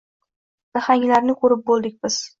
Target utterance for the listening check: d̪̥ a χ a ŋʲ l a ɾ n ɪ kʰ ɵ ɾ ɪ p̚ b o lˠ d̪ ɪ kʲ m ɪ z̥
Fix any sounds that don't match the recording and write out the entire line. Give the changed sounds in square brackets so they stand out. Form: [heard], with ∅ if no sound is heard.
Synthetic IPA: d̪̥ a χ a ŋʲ l a ɾ n ɪ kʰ ɵ ɾ ɪ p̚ b o lˠ d̪ ɪ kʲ [b] ɪ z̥